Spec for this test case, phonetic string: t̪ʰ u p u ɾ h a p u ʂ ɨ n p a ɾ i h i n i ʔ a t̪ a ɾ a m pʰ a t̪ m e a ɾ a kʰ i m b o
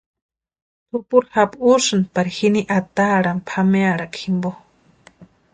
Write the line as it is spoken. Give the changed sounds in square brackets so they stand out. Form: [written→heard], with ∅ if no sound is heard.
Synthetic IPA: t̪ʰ u p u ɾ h a p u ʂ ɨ n p a ɾ i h i n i ʔ a t̪ a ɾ a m pʰ a [t̪→∅] m e a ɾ a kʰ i m b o